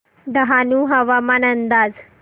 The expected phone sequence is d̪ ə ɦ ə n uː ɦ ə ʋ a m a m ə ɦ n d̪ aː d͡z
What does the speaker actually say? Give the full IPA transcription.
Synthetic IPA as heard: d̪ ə ɦ a n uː ɦ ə ʋ a m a n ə n d̪ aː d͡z